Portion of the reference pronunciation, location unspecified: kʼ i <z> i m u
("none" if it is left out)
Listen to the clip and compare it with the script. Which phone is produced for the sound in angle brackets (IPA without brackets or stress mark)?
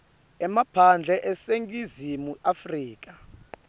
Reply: z